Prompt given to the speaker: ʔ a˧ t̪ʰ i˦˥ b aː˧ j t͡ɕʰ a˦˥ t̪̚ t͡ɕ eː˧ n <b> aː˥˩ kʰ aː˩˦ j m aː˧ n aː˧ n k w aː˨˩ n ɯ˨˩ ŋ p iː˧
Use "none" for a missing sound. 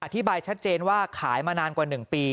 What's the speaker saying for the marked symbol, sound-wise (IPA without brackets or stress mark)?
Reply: w